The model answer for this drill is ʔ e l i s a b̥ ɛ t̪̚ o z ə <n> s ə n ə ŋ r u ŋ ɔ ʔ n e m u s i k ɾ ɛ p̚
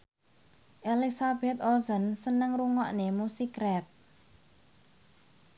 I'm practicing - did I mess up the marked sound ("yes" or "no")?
no